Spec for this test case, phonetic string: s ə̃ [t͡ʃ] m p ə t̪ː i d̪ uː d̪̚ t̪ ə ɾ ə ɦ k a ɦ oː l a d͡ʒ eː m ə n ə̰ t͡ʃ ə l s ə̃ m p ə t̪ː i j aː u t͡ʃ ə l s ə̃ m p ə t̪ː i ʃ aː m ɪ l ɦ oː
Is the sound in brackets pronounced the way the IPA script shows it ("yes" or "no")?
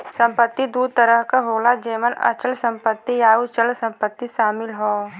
no